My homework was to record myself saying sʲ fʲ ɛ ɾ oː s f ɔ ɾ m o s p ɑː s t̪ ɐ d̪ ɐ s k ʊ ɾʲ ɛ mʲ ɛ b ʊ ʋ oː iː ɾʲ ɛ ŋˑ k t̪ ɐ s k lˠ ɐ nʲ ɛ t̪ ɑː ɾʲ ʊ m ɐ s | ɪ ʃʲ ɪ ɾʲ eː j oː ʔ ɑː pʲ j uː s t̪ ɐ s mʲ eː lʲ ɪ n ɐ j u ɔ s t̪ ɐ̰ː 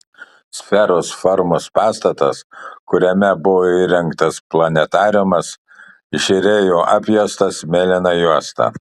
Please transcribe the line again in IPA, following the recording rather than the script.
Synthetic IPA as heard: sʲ fʲ ɛ ɾ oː s f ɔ ɾ m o s p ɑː s t̪ ɐ t̪ ɐ s k ʊ ɾʲ ɛ mʲ ɛ b ʊ ʋ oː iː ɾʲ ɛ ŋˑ k t̪ ɐ s p lˠ ɐ nʲ ɛ t̪ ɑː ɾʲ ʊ m ɐ s | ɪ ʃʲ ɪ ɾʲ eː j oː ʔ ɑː pʲ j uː s t̪ ɐ s mʲ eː lʲ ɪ n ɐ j u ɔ s t̪ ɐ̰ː